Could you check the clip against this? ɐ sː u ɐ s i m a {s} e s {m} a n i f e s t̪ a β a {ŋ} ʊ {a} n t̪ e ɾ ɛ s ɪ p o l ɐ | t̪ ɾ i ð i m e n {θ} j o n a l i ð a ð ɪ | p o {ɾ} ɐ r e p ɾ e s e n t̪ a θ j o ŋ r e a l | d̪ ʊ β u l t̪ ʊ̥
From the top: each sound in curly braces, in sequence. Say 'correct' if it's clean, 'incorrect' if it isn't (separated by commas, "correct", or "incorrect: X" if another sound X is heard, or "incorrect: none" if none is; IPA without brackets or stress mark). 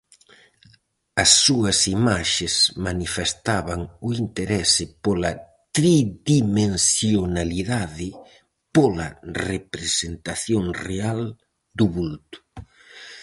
incorrect: ʃ, correct, correct, incorrect: i, incorrect: s, incorrect: l